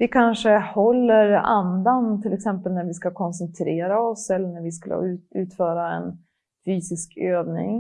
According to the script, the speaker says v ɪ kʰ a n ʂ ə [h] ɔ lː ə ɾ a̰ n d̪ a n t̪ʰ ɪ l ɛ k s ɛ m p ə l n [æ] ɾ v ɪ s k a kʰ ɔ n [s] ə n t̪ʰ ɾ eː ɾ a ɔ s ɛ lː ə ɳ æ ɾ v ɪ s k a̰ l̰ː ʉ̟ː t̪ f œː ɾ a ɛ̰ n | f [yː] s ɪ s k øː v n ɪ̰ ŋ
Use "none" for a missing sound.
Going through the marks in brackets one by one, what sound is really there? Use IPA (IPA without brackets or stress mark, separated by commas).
h, æ, s, yː